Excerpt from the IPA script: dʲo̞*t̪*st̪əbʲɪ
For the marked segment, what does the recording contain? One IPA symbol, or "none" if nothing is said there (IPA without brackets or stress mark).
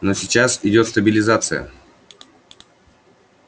t̪